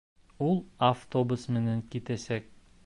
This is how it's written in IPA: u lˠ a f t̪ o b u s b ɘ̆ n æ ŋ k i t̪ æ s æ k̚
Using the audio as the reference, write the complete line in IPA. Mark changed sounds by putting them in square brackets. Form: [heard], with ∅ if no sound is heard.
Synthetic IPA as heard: u lˠ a f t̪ o b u s [m] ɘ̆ n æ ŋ k i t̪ æ s æ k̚